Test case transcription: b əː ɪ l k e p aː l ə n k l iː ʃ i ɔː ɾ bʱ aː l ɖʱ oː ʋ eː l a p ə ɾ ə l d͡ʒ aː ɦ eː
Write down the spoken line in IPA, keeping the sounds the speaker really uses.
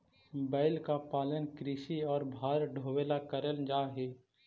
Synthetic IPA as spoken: b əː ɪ l k a p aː l ə n k ɾ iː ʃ i ɔː ɾ bʱ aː ɾ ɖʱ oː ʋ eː l a k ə ɾ ə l d͡ʒ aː ɦ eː

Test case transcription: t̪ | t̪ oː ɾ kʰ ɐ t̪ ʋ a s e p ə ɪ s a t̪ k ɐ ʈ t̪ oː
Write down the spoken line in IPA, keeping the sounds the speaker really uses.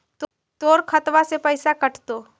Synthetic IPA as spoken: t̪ | t̪ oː ɾ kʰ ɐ t̪ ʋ a s e p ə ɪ s a k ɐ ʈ t̪ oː

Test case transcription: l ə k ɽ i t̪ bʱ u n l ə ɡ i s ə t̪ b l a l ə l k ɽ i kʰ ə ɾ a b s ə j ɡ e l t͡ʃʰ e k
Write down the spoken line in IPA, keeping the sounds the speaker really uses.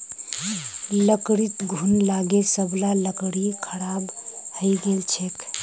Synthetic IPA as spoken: l ə k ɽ i t̪ ɡʱ u n l a ɡ e s ə b l a l ə k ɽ i kʰ ə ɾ a b h ə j ɡ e l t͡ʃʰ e k

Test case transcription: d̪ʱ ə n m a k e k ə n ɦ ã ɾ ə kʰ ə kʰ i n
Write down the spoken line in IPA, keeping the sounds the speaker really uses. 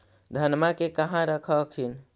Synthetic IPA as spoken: d̪ʱ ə n m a k e k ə ɦ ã ɾ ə kʰ ə kʰ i n

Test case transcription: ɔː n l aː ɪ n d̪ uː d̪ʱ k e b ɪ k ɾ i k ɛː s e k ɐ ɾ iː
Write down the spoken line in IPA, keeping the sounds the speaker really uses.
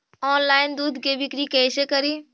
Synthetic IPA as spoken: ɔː n l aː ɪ n d̪ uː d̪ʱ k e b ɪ k ɾ i k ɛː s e k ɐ ɾ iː

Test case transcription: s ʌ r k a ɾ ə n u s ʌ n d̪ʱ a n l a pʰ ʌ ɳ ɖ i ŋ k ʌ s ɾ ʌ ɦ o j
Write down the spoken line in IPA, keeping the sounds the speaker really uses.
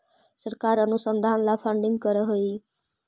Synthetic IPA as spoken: s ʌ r k a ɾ ʌ n u s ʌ n d̪ʱ a n l a pʰ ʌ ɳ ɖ i ŋ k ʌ ɾ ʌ ɦ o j

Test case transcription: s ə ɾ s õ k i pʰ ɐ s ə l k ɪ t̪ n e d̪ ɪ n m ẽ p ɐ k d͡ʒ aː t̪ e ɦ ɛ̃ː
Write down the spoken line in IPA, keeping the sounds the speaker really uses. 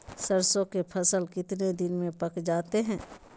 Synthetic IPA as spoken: s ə ɾ s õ k e pʰ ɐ s ə l k ɪ t̪ n e d̪ ɪ n m ẽ p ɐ k d͡ʒ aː t̪ e ɦ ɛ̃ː

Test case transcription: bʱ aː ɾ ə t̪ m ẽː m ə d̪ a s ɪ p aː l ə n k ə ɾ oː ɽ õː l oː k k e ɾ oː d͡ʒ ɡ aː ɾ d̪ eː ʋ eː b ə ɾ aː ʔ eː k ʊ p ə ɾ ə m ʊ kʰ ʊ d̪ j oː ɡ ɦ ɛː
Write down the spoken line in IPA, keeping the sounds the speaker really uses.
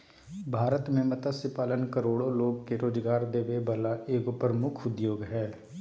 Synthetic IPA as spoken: bʱ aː ɾ ə t̪ m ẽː m ə t̪ a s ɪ p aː l ə n k ə ɾ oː ɽ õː l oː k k e ɾ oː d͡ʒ ɡ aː ɾ d̪ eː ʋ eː b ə l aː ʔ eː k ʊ p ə ɾ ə m ʊ kʰ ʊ d̪ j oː ɡ ɦ ɛː

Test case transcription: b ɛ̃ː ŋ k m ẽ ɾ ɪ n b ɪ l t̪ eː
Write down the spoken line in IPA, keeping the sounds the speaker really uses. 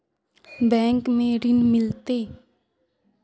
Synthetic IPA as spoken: b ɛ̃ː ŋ k m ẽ ɾ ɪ n m ɪ l t̪ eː

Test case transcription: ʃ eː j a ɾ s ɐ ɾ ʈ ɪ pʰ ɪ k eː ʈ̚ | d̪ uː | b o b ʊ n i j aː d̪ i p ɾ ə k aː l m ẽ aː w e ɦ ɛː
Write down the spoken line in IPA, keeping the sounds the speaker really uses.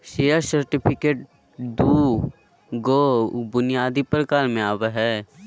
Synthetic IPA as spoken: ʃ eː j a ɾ s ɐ ɾ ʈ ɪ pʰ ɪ k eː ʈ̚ | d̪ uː | ɡ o b ʊ n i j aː d̪ i p ɾ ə k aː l m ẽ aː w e ɦ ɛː

